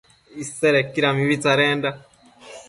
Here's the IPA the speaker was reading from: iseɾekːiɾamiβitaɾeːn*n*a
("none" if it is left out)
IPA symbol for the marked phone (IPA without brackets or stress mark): d